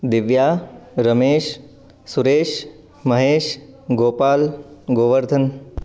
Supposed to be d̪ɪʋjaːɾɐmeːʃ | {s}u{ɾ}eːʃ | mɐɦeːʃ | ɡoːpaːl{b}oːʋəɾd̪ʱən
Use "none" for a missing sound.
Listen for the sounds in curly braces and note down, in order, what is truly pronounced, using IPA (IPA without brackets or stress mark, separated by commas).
s, ɾ, ɡ